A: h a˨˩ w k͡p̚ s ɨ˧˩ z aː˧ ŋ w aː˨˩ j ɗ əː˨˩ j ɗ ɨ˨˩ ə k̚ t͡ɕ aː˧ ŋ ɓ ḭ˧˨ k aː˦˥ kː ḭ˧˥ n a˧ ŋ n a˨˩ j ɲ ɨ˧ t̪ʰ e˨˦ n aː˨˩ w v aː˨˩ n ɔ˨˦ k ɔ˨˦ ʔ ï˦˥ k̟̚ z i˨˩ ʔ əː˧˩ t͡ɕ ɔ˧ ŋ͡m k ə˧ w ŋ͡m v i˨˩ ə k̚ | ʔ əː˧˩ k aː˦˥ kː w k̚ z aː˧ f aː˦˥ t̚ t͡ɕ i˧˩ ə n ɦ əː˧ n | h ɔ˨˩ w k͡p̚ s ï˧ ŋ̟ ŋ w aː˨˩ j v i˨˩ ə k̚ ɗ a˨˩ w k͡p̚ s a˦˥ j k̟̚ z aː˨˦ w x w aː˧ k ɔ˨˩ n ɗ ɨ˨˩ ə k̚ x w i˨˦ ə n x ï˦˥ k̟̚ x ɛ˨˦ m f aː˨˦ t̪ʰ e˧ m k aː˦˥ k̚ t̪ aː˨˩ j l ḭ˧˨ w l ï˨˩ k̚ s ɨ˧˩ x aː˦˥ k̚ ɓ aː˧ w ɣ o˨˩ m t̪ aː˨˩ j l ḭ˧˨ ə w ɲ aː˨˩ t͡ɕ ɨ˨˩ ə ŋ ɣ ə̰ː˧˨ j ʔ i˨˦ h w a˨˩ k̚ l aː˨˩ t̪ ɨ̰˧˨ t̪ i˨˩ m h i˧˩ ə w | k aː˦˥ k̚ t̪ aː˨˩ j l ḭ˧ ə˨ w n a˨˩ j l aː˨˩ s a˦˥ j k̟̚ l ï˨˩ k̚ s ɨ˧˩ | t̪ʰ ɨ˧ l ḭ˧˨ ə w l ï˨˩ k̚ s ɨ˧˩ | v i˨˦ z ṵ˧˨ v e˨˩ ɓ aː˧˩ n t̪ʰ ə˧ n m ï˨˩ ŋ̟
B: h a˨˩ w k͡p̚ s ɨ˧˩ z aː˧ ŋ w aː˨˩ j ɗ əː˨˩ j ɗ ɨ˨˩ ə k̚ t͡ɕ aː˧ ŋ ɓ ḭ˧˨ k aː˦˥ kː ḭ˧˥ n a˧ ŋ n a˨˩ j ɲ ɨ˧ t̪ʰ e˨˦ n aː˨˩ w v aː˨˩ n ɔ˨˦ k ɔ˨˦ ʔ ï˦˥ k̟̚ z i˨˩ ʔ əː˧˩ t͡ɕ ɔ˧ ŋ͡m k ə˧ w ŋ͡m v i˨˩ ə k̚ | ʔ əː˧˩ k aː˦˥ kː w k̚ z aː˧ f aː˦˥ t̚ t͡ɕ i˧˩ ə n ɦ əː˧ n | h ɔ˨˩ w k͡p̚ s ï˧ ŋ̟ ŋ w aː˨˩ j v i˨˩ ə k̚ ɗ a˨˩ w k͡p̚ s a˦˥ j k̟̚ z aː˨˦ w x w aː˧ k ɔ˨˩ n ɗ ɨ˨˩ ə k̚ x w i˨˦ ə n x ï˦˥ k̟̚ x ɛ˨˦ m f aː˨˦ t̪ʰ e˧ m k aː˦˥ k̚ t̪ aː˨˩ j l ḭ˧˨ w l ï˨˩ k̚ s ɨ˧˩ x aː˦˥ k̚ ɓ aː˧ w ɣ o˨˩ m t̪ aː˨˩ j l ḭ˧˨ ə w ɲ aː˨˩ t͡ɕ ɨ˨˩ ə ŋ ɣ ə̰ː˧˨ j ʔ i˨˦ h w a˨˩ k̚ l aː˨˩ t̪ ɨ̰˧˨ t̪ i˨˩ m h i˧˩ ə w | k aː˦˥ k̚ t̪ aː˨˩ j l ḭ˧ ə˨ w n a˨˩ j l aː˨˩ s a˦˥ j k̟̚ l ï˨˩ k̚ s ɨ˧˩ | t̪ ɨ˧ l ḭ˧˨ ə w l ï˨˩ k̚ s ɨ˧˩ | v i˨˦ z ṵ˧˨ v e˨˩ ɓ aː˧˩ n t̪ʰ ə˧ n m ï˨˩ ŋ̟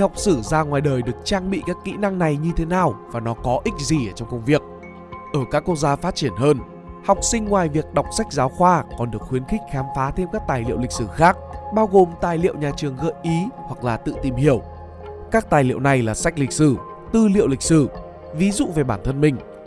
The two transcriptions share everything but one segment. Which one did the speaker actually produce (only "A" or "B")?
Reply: B